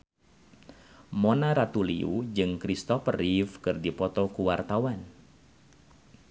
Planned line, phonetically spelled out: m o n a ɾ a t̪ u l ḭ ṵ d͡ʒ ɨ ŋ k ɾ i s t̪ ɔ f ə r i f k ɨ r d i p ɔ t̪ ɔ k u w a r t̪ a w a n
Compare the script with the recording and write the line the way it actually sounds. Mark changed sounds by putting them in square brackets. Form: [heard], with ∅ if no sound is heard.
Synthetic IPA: m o n a ɾ a t̪ u l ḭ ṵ d͡ʒ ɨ ŋ k ɾ i s t̪ ɔ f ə r i f k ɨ r d i p ɔ t̪ ɔ k u w a r t̪ a w a n